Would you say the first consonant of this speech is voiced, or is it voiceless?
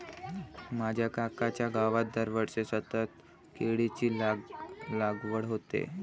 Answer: voiced